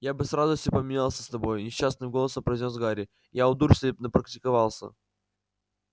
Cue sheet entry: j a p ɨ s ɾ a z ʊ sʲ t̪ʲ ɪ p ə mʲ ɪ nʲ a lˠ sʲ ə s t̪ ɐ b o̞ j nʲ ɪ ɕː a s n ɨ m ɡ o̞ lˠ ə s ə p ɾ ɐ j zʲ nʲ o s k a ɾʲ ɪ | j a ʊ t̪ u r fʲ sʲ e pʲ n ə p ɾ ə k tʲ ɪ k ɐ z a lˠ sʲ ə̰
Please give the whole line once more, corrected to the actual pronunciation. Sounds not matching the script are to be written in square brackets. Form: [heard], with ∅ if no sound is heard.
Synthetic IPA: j a [b] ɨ s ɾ a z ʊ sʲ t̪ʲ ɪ p ə mʲ ɪ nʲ a lˠ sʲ ə s t̪ ɐ b o̞ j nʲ ɪ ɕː a s n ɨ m ɡ o̞ lˠ ə s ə p ɾ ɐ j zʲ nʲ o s [ɡ] a ɾʲ ɪ | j a ʊ [d̪] u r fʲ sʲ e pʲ n ə p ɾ ə k tʲ ɪ k ɐ [v] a lˠ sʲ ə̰